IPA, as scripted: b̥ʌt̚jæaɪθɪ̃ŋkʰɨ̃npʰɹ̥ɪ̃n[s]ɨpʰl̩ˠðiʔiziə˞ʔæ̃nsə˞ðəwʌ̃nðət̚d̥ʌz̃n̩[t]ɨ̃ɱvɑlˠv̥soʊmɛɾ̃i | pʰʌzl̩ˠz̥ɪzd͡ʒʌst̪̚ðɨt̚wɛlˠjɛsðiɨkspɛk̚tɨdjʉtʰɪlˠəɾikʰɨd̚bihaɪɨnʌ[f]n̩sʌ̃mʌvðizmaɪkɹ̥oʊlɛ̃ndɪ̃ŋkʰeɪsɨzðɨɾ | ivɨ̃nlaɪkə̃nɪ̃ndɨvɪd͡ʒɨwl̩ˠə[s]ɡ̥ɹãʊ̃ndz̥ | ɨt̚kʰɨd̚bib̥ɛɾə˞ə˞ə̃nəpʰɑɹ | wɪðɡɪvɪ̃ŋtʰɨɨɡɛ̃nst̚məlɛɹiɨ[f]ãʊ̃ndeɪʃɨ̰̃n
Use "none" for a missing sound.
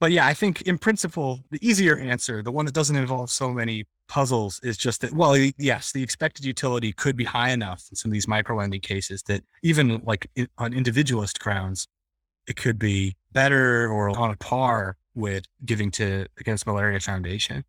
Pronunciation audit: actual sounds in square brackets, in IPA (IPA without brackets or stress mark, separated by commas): s, t, f, s, f